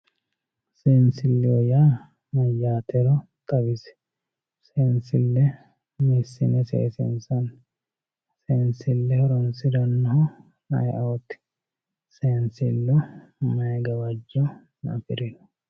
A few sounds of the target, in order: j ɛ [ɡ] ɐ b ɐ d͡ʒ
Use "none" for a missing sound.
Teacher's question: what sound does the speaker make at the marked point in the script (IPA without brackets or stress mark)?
ɡ